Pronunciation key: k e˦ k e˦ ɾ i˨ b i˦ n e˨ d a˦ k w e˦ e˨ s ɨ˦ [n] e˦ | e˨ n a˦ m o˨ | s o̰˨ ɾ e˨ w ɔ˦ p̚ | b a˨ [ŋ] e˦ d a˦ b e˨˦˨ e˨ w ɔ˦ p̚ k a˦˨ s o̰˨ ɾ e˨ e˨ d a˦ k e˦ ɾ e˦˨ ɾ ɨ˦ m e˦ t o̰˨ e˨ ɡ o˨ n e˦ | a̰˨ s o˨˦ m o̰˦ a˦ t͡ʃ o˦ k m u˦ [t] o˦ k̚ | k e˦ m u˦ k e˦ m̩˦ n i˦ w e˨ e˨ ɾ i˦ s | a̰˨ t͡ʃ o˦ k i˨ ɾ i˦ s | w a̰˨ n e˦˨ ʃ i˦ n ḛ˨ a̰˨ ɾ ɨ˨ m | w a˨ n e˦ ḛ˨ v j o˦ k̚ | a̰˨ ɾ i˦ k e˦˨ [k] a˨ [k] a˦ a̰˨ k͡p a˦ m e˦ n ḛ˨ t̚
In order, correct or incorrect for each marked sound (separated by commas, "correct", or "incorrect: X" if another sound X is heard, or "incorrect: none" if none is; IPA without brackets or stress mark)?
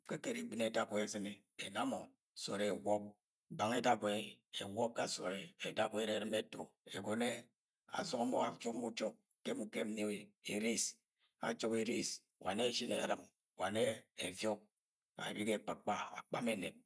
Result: correct, correct, incorrect: t͡ʃ, incorrect: k͡p, incorrect: k͡p